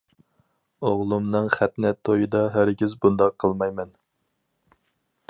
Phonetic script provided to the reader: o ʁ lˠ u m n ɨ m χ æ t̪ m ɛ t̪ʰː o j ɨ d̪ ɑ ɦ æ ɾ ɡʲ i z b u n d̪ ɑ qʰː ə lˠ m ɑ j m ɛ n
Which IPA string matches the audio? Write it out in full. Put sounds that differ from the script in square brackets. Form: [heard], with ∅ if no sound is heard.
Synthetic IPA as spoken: o ʁ lˠ u m n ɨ [ŋ] χ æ t̪ [n] ɛ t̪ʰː o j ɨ d̪ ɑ ɦ æ ɾ ɡʲ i z b u n d̪ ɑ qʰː ə lˠ m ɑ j m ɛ n